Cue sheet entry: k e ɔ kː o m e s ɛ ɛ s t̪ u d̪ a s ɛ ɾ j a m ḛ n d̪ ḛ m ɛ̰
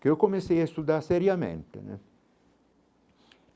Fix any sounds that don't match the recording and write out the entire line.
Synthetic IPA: k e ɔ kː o m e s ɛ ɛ s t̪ u d̪ a s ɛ ɾ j a m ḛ n t̪ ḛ n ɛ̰